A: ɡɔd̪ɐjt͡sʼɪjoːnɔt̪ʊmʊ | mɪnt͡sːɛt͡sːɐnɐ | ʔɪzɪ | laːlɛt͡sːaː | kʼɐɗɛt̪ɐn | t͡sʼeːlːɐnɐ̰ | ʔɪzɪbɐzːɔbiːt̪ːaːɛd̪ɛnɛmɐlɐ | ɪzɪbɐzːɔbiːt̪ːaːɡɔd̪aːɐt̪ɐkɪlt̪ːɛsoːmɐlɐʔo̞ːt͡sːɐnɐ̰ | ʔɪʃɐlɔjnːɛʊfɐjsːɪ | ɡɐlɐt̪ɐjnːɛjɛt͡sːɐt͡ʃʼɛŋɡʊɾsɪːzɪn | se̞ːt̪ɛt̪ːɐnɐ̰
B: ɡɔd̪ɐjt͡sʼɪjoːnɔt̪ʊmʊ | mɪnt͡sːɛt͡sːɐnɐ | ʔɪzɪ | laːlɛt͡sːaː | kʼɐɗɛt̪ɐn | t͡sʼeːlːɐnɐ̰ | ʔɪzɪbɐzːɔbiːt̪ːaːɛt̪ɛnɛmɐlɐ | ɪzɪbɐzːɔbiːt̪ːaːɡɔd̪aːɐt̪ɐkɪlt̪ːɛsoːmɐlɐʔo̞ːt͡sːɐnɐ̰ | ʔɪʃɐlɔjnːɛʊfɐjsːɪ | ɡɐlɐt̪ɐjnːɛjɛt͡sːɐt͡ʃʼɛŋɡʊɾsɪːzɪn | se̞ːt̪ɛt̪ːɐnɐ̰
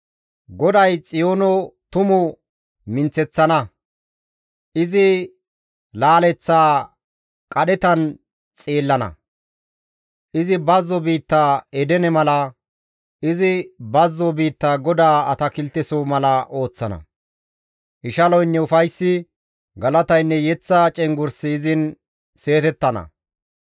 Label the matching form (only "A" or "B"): A